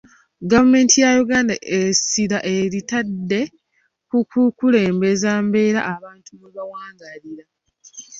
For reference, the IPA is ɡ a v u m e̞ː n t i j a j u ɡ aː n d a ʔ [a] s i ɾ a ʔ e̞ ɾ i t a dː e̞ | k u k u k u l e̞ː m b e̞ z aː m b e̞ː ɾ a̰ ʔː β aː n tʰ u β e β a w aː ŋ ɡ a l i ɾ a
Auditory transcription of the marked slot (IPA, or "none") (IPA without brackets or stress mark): e